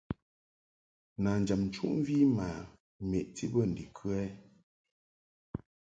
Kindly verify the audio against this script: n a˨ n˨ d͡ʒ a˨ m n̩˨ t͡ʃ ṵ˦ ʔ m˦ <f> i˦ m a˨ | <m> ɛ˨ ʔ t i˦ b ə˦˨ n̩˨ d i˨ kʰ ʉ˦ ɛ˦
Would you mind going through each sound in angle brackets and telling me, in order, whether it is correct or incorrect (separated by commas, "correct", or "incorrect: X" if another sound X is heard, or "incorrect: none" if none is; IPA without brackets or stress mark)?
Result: incorrect: v, correct